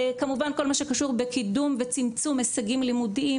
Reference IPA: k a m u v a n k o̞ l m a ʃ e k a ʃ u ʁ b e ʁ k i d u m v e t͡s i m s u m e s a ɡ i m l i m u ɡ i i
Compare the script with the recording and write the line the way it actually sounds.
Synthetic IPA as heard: k a m u v a n k o̞ l m a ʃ e k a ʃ u ʁ b e k i d u m v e t͡s i m t͡s u m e s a ɡ i m l i m u d i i

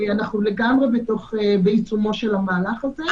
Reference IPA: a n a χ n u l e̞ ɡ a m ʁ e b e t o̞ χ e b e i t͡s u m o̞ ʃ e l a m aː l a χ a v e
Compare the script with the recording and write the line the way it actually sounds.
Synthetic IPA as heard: a n a χ n u l e̞ ɡ a m ʁ e b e t o̞ χ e b e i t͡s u m o̞ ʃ e l a m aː l a χ a z e

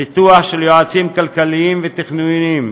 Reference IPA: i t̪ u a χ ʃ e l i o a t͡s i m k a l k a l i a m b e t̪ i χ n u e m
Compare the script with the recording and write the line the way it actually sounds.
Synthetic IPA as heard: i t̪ u a χ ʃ e l j o a t͡s i m k a l k a l i i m v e t̪ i χ n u i m

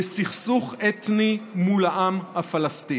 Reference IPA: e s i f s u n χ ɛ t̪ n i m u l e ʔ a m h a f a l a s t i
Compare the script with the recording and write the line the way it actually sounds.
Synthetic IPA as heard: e s i χ s u χ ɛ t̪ n i m u l a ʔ a m h a f a l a s t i

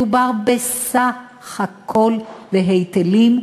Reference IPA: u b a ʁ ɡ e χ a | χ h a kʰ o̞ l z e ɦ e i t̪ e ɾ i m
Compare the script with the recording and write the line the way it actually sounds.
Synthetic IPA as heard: u b a ʁ b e s a | χ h a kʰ o̞ l v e ɦ e j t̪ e l i m

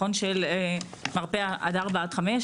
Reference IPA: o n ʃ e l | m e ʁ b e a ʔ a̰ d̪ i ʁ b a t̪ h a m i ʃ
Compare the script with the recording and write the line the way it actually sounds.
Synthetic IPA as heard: o n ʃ e l | m a ʁ p e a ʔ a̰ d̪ a ʁ b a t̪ χ a m e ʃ

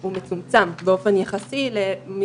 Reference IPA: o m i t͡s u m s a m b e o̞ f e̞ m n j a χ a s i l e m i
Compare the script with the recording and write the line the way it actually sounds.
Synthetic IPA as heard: u m e t͡s u m t͡s a m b e o̞ f e̞ n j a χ a s i l e m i

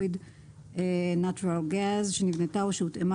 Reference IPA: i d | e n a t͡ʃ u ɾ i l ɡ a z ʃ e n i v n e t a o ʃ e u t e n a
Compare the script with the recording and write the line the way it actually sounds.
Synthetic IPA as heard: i d | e n a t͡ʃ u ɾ a l ɡ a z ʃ e n i v n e t a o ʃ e u t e m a

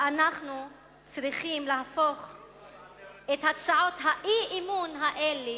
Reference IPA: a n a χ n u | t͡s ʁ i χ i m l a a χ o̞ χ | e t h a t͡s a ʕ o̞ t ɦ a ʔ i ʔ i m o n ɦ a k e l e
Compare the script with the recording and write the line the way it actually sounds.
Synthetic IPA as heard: a n a χ n u | t͡s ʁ i χ i m l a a f o̞ χ | e t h a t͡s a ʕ o̞ t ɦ a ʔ i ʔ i m u n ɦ a ʔ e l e

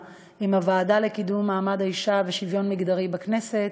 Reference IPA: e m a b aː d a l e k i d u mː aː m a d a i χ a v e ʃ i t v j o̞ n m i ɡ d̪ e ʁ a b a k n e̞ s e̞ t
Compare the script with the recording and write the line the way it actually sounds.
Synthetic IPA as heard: i m a v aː d a l e k i d u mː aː m a d a i ʃ a v e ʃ i v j o̞ n m i ɡ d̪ a ʁ i b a k n e̞ s e̞ t

